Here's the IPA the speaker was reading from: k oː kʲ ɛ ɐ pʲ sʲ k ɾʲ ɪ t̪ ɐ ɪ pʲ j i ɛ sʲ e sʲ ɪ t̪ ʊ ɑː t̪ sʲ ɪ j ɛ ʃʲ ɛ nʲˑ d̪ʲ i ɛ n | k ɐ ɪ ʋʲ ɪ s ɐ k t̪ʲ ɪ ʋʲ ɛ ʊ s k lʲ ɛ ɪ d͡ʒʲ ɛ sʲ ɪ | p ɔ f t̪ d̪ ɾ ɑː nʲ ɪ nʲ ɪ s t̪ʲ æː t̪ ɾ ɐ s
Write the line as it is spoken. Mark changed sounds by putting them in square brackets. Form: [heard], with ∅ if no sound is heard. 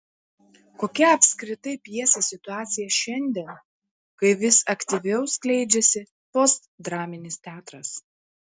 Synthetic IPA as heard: k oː kʲ ɛ ɐ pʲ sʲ k ɾʲ ɪ t̪ ɐ ɪ pʲ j i ɛ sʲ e sʲ ɪ t̪ ʊ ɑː t̪ sʲ ɪ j ɛ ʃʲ ɛ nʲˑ d̪ʲ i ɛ n | k ɐ ɪ ʋʲ ɪ s ɐ k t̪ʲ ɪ ʋʲ ɛ ʊ s k lʲ ɛ ɪ d͡ʒʲ ɛ sʲ ɪ | p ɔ [s] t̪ d̪ ɾ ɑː [mʲ] ɪ nʲ ɪ s t̪ʲ æː t̪ ɾ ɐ s